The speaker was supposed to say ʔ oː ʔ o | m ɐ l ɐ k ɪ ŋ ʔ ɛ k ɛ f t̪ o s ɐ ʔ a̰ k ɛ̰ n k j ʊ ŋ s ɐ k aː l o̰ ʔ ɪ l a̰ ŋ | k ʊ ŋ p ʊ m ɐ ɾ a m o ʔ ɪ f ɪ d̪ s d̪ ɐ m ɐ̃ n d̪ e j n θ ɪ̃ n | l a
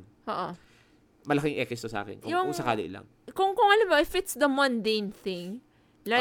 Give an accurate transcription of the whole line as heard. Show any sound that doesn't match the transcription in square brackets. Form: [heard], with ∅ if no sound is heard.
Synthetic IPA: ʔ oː ʔ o | m ɐ l ɐ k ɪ ŋ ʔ ɛ k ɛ [s] t̪ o s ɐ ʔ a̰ k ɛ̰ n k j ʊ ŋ s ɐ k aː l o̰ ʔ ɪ l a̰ ŋ | k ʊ ŋ [k] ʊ [ŋ] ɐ [l] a m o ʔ ɪ f ɪ [t̪] s d̪ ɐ m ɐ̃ n d̪ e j n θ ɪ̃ [ŋ] | l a